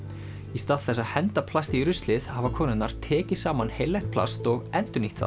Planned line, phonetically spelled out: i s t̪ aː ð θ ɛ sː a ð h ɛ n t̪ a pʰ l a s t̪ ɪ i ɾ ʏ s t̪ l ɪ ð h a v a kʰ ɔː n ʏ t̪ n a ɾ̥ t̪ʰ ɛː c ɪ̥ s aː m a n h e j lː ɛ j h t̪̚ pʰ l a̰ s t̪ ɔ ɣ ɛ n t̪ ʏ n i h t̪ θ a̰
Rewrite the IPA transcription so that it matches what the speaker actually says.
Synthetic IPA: i s t̪ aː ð θ ɛ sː a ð h ɛ n t̪ a pʰ l a s t̪ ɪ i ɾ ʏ s t̪ l ɪ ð h a v a kʰ ɔː n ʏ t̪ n a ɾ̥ t̪ʰ ɛː c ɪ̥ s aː m a n h e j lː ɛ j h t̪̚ pʰ l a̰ s t̪ ɔ ɣ ɛ n t̪ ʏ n i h t̪ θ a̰